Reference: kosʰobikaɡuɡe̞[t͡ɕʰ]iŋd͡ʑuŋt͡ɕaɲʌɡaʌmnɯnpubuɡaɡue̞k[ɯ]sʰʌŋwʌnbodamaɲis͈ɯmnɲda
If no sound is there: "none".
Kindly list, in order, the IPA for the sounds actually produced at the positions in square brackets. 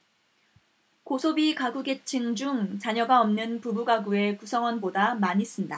t͡ɕʰ, u

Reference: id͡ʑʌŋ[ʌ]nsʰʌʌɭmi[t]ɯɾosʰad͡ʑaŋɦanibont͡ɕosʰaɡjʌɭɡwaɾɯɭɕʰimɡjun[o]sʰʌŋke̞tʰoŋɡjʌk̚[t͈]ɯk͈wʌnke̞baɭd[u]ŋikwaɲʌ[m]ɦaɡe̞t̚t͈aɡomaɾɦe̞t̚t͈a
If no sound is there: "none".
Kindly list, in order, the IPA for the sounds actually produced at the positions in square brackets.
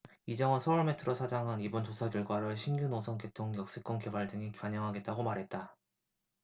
ʌ, tʰ, o, s͈, ɯ, ŋ

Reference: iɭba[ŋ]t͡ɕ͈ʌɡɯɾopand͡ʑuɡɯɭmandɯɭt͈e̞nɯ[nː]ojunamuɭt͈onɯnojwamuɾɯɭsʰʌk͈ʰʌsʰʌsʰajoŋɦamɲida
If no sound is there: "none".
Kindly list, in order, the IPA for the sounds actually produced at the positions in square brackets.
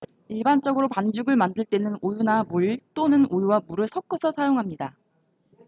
n, n

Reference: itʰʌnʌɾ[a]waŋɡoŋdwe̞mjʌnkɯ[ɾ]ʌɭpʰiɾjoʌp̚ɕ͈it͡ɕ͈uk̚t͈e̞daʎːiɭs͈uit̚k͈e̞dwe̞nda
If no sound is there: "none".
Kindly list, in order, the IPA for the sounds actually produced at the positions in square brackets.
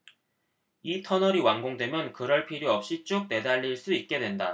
i, ɾ

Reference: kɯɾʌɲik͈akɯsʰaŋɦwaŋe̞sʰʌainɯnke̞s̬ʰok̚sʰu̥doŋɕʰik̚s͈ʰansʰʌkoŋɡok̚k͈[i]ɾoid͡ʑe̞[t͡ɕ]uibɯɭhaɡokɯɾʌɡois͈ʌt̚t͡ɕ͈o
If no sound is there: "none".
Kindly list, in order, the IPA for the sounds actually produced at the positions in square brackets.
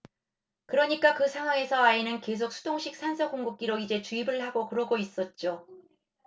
i, t͡ɕ

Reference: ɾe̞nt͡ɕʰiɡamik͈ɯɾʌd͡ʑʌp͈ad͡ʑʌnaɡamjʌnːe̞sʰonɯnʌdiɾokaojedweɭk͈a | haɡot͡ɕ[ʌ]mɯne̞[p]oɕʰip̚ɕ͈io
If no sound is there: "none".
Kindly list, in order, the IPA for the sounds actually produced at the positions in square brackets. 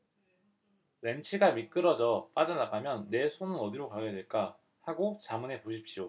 a, p

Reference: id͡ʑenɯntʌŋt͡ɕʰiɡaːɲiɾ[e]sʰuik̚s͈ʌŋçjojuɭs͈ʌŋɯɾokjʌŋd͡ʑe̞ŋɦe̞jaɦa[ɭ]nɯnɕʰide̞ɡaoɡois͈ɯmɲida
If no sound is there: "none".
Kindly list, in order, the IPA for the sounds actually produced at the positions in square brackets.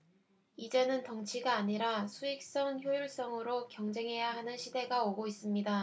a, none

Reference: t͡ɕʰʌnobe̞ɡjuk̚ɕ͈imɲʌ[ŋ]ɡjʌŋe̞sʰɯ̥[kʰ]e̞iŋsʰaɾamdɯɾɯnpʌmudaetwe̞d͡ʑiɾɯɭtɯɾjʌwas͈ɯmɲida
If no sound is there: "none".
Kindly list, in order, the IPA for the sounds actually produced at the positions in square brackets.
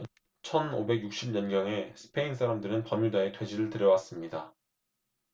n, pʰ

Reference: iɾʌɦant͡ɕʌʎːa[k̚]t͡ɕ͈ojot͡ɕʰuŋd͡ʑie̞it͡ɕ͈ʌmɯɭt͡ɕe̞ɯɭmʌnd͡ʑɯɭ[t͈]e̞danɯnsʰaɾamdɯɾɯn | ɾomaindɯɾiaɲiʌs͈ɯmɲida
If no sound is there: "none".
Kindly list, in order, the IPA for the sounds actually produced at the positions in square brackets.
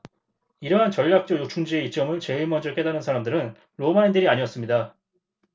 k̚, k͈

